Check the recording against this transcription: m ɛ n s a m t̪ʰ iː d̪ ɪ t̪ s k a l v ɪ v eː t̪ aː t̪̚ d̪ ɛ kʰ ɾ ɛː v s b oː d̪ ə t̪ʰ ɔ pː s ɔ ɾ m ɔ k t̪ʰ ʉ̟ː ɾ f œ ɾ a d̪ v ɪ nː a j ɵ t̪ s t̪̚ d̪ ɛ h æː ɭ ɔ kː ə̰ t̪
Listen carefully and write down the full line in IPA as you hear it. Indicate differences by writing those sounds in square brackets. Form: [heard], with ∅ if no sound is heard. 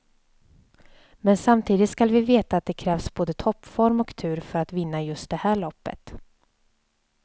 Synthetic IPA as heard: m ɛ n s a m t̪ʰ iː d̪ ɪ t̪ s k a l v ɪ v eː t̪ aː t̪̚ d̪ ɛ kʰ ɾ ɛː v s b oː d̪ ə t̪ʰ ɔ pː [f] ɔ ɾ m ɔ k t̪ʰ ʉ̟ː ɾ f œ ɾ a [t̪] v ɪ nː a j ɵ [∅] s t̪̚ d̪ ɛ h æː ɭ ɔ [pː] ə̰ t̪